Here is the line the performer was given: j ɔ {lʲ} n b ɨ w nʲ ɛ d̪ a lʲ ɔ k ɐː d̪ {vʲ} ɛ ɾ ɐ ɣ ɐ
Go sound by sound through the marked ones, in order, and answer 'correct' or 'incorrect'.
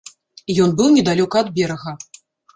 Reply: incorrect, incorrect

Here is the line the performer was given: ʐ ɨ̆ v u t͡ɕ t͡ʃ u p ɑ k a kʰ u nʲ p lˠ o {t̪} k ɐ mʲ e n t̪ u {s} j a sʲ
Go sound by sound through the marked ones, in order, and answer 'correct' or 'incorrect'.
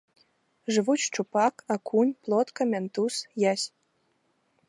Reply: correct, correct

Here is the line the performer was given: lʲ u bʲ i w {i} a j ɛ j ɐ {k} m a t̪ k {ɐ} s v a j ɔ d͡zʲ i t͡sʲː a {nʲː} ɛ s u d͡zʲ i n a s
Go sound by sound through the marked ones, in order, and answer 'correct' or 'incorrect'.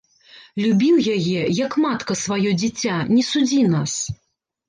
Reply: incorrect, correct, correct, incorrect

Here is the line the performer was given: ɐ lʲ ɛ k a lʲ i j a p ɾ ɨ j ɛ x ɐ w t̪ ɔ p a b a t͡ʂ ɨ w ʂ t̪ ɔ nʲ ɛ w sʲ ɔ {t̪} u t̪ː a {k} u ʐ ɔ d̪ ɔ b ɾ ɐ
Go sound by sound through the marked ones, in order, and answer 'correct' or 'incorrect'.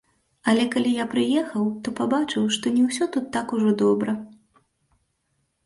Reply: correct, correct

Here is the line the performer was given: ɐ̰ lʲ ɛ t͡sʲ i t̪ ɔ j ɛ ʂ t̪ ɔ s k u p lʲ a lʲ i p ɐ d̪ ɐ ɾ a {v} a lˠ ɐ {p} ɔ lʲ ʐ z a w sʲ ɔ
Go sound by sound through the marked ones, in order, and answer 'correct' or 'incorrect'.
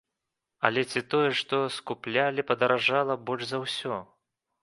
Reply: incorrect, incorrect

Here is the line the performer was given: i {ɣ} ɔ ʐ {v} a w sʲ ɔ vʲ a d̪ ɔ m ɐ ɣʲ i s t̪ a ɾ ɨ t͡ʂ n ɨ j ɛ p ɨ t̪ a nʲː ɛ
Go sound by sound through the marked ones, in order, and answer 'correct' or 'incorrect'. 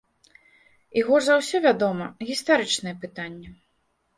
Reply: correct, incorrect

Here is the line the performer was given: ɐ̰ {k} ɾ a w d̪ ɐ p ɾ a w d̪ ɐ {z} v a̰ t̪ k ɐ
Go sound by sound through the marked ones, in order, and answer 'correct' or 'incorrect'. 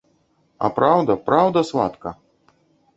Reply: incorrect, incorrect

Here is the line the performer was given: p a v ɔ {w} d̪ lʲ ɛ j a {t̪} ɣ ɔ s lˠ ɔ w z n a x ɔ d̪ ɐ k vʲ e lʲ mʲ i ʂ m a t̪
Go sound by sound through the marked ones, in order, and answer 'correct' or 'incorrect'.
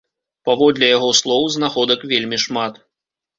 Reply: incorrect, incorrect

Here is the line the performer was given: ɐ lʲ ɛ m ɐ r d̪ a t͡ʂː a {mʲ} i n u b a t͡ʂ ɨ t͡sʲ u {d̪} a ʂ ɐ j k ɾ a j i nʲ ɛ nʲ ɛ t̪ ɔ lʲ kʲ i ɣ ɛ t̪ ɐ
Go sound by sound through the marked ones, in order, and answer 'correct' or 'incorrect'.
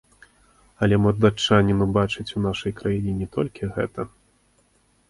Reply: incorrect, incorrect

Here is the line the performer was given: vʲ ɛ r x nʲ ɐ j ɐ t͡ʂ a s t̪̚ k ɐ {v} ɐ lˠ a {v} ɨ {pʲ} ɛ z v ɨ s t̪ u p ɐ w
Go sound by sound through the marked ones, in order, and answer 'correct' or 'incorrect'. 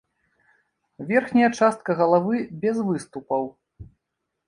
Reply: incorrect, correct, incorrect

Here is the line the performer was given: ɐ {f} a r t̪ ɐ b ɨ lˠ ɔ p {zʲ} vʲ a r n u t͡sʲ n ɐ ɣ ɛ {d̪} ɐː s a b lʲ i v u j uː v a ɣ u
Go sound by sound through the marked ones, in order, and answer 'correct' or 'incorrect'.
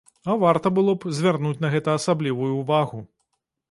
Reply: incorrect, correct, incorrect

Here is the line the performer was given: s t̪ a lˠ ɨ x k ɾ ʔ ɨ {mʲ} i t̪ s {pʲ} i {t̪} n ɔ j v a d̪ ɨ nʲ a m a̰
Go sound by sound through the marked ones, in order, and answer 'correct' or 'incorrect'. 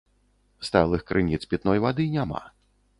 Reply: incorrect, correct, correct

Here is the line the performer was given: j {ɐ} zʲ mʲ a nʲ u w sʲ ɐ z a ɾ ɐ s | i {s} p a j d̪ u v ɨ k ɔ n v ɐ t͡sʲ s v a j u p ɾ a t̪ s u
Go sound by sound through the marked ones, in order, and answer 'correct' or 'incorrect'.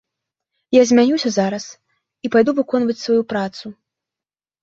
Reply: incorrect, incorrect

